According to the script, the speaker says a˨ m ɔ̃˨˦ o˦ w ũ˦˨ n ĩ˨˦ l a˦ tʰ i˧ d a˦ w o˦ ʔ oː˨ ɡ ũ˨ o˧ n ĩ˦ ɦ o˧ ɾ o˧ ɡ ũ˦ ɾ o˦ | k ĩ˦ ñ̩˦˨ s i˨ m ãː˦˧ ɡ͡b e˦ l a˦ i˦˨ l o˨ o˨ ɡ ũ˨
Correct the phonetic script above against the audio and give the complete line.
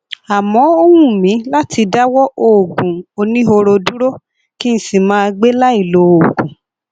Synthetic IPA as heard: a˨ m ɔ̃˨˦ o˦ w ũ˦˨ m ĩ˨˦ l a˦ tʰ i˧ d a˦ w ɔ˦ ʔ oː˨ ɡ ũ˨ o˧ n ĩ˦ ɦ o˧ ɾ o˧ d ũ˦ ɾ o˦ | k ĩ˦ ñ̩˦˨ s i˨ m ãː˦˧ ɡ͡b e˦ l a˦ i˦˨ l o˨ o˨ ɡ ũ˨